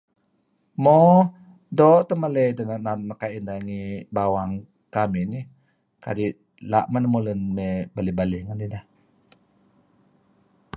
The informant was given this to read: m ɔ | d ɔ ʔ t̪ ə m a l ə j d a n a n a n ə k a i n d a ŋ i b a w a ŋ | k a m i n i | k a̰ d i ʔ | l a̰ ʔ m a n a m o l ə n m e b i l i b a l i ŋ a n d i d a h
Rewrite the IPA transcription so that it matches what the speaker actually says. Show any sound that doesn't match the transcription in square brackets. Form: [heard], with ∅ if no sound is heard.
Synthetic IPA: m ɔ | d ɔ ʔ t̪ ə m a l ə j d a n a n a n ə k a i n d a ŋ i b a w a ŋ | k a m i n i | k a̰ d i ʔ | l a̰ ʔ m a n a m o l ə n m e b [a] l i b a l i ŋ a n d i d a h